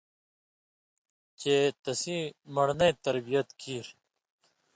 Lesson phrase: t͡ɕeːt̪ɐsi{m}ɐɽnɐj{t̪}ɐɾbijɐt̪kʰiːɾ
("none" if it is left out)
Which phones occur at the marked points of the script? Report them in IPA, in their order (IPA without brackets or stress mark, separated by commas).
m, t̪